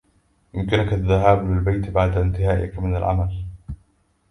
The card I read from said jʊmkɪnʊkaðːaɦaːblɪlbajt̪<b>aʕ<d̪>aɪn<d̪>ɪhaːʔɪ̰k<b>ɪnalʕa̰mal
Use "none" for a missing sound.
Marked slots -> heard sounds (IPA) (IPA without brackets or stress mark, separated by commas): b, d̪, t̪, m